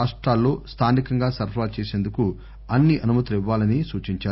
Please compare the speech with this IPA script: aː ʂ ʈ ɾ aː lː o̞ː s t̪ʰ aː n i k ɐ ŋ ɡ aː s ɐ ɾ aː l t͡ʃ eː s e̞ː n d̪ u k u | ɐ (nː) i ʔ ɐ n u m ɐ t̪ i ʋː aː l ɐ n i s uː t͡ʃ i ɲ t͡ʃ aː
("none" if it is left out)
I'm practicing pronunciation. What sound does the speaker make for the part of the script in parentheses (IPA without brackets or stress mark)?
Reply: nː